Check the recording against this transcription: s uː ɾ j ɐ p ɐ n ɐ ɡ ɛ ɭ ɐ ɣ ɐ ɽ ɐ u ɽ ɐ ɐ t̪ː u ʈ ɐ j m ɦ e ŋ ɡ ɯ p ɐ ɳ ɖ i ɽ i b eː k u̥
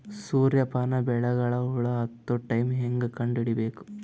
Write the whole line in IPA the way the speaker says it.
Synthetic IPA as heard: s uː ɾ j ɐ p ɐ n ɐ b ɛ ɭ ɐ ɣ ɐ ɭ ɐ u ɭ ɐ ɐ t̪ː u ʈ ɐ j m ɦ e ŋ ɡ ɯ k ɐ ɳ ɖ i ɽ i b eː k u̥

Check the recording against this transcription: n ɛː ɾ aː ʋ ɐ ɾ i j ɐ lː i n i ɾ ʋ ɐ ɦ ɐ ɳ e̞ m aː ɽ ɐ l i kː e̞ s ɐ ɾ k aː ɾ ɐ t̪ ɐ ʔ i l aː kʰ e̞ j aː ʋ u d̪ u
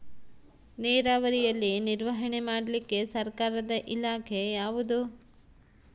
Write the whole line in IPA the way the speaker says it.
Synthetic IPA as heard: n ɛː ɾ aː ʋ ɐ ɾ i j ɐ lː i n i ɾ ʋ ɐ ɦ ɐ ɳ e̞ m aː ɽ ɐ l i kː e̞ s ɐ ɾ k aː ɾ ɐ d̪ ɐ ʔ i l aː kʰ e̞ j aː ʋ u d̪ u

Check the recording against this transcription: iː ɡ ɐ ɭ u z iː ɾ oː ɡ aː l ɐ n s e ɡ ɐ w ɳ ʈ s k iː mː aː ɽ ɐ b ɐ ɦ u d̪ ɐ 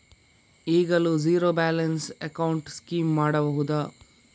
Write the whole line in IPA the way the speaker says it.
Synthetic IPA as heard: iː ɡ ɐ l u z iː ɾ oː b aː l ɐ n s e k ɐ w ɳ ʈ s k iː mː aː ɽ ɐ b ɐ ɦ u d̪ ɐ

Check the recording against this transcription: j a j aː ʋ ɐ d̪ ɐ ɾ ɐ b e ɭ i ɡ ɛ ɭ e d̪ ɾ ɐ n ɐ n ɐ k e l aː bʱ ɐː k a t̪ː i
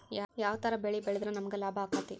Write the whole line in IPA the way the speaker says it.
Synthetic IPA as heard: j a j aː ʋ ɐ t̪ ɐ ɾ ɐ b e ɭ i b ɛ ɭ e d̪ ɾ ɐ n ɐ m ɐ ɡ e l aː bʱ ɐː k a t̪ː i

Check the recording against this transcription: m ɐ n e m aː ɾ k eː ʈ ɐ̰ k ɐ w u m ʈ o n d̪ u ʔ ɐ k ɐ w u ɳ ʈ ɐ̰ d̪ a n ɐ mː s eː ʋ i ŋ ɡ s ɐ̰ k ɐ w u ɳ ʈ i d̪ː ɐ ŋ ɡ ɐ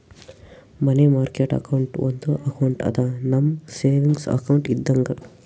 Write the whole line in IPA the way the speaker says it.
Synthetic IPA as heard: m ɐ n e m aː ɾ k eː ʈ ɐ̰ k ɐ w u ɳ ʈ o n d̪ u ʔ ɐ k ɐ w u ɳ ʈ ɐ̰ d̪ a n ɐ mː s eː ʋ i ŋ ɡ s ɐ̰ k ɐ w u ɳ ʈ i d̪ː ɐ ŋ ɡ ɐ

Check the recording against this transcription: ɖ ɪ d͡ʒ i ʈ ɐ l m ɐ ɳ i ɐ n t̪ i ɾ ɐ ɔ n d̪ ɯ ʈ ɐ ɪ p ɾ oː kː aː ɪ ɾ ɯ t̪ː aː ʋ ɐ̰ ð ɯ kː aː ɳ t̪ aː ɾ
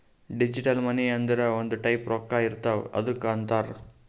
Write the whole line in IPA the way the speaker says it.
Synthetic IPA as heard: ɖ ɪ d͡ʒ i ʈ ɐ l m ɐ n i ɐ n d̪ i ɾ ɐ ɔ n d̪ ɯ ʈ ɐ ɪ p ɾ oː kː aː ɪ ɾ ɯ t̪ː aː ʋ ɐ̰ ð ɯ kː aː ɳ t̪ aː ɾ

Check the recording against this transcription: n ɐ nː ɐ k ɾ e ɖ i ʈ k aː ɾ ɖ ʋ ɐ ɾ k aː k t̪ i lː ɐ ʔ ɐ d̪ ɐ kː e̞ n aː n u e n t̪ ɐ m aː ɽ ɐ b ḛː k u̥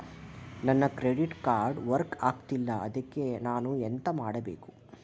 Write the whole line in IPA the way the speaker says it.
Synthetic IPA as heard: n ɐ nː ɐ k ɾ e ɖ i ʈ k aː ɾ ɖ ʋ ɐ ɾ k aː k t̪ i lː ɐ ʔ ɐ d̪ ɐ kː e̞ n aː n u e n t̪ ɐ m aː ɽ ɐ b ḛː k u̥

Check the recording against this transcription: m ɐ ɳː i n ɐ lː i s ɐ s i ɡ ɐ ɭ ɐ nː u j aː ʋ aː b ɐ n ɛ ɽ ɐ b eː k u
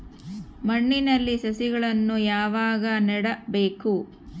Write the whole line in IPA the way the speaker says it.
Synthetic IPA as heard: m ɐ ɳː i n ɐ lː i s ɐ s i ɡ ɐ ɭ ɐ nː u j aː ʋ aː ɡ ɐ n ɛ ɽ ɐ b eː k u

